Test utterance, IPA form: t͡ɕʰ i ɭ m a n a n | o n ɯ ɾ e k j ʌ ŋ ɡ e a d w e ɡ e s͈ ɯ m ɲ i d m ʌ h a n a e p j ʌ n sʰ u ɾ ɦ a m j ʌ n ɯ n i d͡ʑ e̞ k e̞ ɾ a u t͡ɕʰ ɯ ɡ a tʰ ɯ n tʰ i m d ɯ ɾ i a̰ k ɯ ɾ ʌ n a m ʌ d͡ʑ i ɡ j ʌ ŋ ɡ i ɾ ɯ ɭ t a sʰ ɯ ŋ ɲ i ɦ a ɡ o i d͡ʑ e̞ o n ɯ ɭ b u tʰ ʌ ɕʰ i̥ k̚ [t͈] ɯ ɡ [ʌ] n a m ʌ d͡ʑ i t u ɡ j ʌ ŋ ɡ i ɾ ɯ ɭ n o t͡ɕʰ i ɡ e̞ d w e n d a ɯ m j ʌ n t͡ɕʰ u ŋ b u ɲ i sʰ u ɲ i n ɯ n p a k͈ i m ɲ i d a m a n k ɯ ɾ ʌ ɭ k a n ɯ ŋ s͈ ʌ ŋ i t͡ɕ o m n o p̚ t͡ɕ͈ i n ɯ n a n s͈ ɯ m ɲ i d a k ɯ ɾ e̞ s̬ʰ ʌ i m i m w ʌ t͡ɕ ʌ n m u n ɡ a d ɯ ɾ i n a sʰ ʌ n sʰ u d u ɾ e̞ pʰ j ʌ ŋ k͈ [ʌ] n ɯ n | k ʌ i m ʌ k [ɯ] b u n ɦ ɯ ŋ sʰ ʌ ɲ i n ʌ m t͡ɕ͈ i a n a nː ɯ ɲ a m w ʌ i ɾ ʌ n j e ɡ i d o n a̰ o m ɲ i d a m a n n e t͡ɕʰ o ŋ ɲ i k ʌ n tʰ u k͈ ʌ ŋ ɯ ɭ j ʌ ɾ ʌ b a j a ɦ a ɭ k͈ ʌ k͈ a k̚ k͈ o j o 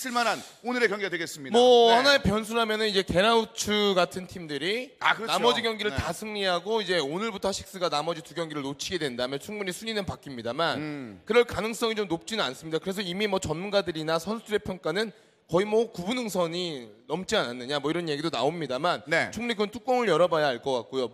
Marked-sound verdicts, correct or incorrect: incorrect: s͈, incorrect: a, incorrect: a, incorrect: u

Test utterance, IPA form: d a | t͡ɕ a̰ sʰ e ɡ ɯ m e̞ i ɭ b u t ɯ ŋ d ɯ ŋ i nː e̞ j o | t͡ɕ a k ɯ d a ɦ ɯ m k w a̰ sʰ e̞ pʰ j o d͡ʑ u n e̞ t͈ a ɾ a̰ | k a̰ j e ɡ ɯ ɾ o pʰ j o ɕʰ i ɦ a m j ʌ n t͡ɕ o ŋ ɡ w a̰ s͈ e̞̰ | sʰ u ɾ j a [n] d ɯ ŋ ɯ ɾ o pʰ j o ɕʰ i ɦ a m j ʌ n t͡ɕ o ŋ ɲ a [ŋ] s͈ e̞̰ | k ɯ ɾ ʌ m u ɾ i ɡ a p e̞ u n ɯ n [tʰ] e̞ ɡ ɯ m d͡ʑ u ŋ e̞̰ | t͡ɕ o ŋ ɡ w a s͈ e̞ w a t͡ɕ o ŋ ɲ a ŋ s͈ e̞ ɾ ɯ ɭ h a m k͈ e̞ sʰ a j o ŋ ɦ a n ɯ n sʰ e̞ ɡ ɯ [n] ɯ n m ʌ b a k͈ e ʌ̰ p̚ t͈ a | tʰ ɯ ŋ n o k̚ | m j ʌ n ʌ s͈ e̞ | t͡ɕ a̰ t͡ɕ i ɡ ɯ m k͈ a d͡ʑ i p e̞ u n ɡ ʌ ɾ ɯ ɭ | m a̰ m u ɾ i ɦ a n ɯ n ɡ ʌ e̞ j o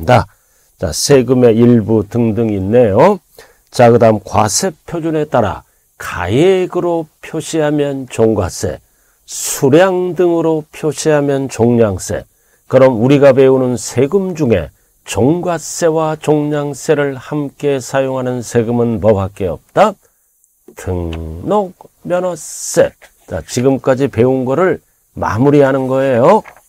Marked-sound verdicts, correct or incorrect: incorrect: ŋ, correct, incorrect: sʰ, incorrect: m

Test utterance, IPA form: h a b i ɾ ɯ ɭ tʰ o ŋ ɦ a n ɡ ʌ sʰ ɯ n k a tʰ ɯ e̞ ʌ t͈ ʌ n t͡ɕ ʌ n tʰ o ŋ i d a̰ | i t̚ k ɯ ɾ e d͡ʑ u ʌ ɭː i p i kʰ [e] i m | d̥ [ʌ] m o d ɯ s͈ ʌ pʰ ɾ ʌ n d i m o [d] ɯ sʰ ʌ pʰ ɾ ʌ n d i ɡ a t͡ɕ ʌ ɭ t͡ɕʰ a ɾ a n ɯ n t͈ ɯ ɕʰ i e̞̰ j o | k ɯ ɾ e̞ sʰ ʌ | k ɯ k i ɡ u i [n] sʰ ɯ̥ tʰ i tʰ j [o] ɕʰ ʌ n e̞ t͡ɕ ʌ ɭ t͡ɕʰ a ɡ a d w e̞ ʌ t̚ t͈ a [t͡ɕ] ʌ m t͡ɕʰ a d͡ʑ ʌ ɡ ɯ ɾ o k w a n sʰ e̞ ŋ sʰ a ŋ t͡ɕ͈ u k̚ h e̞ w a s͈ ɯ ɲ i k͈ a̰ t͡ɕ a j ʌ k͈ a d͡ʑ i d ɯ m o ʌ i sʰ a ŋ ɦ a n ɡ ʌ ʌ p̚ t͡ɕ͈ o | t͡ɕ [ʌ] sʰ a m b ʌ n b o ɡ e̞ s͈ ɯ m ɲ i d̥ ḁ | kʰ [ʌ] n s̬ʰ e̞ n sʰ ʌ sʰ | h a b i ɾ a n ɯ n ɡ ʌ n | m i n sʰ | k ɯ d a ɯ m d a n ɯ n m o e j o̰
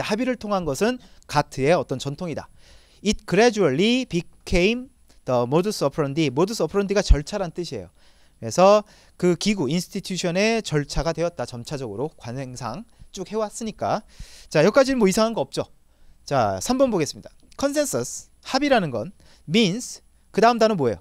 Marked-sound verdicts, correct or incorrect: correct, correct, correct, correct, incorrect: u, correct, incorrect: a, correct

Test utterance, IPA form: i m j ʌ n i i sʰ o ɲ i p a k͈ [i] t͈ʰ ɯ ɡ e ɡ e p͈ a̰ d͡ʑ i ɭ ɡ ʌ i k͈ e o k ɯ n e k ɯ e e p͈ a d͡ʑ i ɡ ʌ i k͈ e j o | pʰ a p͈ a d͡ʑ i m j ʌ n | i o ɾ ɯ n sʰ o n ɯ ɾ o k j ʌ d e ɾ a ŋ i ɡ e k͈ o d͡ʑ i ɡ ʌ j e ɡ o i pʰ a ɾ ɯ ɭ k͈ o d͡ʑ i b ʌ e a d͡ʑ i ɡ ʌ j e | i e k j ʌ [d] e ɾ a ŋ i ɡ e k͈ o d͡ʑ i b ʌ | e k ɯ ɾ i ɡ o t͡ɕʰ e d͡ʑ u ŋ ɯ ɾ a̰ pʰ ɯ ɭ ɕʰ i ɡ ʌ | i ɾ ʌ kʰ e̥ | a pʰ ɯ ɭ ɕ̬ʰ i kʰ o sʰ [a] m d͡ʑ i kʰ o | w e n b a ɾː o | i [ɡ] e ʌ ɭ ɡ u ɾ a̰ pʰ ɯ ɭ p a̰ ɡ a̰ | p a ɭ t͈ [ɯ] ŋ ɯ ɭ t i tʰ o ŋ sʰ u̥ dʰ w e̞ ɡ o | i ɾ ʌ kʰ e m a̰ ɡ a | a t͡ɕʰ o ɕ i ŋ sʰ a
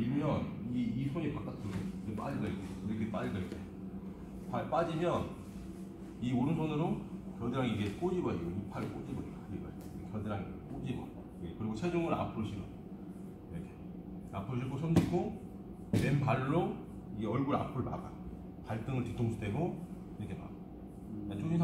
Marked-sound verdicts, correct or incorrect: incorrect: a, correct, incorrect: ʌ, correct, correct

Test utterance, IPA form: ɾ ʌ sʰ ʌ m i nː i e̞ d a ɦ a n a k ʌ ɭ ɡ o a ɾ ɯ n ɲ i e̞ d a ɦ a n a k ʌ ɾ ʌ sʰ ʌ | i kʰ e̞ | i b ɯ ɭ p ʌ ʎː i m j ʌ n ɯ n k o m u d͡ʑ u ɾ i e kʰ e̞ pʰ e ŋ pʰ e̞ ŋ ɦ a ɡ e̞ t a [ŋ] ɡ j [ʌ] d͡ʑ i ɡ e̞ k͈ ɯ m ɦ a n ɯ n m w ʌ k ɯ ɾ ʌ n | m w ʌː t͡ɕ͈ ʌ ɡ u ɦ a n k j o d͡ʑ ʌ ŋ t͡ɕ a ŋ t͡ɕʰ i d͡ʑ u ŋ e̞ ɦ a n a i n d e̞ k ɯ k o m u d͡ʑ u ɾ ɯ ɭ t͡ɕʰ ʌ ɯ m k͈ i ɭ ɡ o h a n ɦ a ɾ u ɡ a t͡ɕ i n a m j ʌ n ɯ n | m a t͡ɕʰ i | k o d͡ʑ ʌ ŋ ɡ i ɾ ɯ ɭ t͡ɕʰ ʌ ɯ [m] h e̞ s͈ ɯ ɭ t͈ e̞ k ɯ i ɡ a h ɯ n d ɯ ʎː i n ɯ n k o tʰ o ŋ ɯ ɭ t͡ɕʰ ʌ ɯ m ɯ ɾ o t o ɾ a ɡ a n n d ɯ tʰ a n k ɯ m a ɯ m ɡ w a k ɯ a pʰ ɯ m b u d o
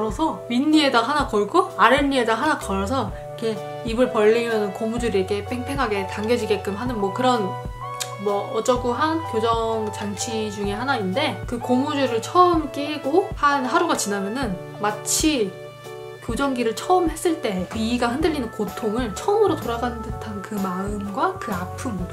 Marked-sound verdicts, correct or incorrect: correct, correct, correct

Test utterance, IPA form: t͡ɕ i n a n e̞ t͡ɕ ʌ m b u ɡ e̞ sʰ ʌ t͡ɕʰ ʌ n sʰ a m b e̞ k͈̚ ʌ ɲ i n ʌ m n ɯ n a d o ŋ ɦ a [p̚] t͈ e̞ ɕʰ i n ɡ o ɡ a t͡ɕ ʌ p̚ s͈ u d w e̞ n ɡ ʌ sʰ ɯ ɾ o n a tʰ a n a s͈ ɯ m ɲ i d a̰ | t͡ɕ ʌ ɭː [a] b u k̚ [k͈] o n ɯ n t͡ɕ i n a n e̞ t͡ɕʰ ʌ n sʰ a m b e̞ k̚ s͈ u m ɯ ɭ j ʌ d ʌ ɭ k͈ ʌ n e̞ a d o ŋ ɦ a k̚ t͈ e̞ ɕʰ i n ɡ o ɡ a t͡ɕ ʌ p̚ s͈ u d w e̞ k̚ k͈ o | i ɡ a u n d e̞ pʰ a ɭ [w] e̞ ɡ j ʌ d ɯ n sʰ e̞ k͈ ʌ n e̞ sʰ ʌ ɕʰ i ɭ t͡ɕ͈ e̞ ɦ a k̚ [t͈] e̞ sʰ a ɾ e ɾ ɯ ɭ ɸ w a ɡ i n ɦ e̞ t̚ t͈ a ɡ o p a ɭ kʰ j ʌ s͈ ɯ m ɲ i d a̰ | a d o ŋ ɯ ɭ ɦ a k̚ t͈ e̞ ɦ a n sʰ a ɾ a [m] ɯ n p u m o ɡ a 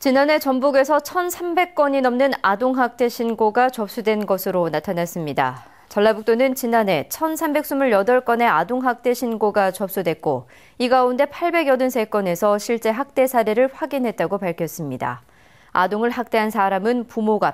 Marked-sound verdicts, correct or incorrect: incorrect: k̚, correct, incorrect: t͈, incorrect: b, correct, correct

